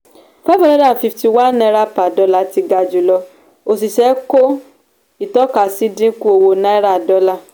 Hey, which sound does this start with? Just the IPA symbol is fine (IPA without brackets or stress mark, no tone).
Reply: f